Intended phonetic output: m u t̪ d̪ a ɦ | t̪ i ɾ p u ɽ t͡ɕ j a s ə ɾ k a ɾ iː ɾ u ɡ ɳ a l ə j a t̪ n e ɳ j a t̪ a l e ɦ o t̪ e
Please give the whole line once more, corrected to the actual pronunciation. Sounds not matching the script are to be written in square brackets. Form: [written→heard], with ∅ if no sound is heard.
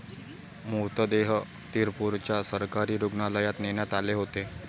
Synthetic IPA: m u t̪ d̪ [a→e] ɦ | t̪ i ɾ p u [ɽ→ɾ] t͡ɕ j a s ə ɾ k a ɾ iː ɾ u ɡ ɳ a l ə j a t̪ n e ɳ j a t̪ a l e ɦ o t̪ e